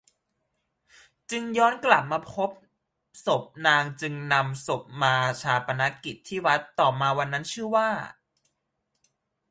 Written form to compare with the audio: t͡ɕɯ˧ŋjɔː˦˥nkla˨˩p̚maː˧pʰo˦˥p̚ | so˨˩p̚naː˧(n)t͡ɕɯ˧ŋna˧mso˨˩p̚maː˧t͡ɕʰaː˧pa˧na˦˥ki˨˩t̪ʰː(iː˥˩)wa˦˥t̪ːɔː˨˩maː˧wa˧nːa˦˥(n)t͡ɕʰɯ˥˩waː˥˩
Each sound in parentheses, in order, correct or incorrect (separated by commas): incorrect, correct, correct